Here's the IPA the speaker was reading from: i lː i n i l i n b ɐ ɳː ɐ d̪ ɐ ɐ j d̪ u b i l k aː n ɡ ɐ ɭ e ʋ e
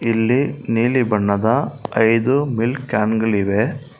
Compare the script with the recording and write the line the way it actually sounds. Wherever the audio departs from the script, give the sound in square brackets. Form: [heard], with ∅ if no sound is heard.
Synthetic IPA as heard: i lː i n [iː] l i [∅] b ɐ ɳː ɐ d̪ ɐ ɐ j d̪ u [m] i l k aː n ɡ ɐ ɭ [i] ʋ e